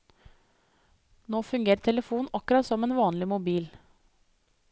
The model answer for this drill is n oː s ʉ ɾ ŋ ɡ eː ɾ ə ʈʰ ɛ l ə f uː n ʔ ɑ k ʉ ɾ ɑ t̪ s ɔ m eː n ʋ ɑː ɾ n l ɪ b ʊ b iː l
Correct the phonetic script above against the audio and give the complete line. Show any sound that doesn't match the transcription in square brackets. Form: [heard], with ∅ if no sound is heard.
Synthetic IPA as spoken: n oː [f] ʉ [∅] ŋ ɡ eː ɾ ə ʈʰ ɛ l ə f uː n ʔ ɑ k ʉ ɾ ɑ t̪ s ɔ m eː n ʋ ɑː [∅] n l ɪ [m] ʊ b iː l